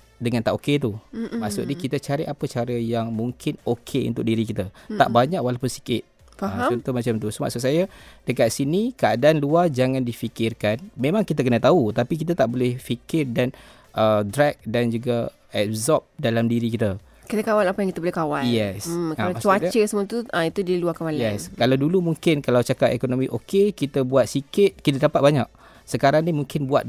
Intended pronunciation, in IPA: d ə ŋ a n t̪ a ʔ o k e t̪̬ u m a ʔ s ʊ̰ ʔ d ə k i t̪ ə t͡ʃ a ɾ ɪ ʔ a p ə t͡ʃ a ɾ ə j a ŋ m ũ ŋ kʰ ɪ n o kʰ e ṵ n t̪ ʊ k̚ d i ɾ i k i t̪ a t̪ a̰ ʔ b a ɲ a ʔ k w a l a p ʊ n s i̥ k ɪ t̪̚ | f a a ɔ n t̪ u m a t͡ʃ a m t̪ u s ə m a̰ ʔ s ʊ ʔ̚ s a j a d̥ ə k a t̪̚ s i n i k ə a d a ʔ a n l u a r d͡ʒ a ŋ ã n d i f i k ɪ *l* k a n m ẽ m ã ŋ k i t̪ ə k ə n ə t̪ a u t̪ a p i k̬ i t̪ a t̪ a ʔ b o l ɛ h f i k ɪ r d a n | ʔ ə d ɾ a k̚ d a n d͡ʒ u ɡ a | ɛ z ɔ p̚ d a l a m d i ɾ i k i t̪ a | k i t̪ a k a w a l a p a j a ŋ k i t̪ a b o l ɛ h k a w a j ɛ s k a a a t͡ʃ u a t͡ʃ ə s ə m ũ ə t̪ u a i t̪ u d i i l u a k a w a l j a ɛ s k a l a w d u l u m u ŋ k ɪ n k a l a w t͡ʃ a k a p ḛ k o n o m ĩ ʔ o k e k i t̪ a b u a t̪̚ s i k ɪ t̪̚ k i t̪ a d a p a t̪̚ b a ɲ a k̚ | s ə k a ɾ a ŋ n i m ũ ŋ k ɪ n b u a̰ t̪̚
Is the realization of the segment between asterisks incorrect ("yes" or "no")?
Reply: yes